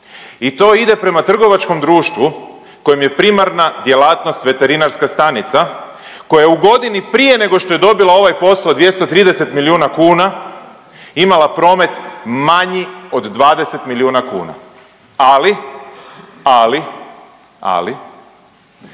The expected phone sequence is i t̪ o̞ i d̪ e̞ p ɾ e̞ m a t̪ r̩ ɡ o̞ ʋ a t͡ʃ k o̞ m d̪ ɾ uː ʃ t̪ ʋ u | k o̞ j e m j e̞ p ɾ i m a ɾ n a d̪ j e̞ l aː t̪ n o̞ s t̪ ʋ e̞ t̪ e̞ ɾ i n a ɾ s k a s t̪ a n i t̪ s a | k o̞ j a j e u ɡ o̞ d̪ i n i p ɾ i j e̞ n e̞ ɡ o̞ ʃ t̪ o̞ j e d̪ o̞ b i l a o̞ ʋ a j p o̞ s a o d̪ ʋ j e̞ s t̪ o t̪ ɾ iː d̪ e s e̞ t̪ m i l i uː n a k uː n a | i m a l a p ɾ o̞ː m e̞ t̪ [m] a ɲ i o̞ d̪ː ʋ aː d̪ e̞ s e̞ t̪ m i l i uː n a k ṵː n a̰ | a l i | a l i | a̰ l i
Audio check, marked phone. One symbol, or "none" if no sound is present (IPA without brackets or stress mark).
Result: m